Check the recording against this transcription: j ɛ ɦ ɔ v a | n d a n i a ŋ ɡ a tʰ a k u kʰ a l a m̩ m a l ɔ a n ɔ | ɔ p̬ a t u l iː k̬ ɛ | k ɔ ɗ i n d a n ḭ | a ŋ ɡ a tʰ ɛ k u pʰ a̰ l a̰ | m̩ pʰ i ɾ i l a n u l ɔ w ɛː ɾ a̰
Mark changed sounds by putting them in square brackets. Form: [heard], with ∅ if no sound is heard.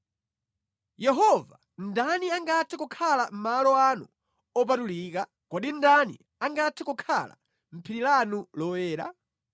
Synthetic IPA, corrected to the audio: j ɛ ɦ ɔ v a | n d a n i a ŋ ɡ a tʰ [ɛ] k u kʰ a l a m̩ m a l ɔ a n [u] | ɔ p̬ a t u l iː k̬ [a] | k ɔ ɗ i n d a n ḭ | a ŋ ɡ a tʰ ɛ k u [kʰ] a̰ l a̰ | m̩ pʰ i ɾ i l a n u l ɔ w ɛː ɾ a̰